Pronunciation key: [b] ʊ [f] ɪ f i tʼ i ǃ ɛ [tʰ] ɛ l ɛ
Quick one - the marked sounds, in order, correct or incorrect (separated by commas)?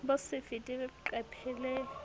correct, incorrect, incorrect